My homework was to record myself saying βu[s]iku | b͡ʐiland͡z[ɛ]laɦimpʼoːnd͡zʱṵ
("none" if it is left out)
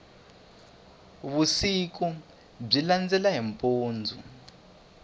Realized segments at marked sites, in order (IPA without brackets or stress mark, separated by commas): s, ɛ